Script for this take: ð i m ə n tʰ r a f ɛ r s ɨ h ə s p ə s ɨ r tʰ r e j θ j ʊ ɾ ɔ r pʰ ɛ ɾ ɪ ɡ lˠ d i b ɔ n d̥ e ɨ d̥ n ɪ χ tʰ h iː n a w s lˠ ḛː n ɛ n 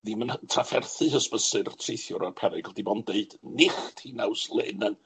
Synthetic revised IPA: ð i m ə n tʰ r a f ɛ r θ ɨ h ə s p ə s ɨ r tʰ r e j θ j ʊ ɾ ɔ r pʰ ɛ ɾ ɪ ɡ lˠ d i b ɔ n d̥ e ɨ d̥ n ɪ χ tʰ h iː n a w s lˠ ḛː n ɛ n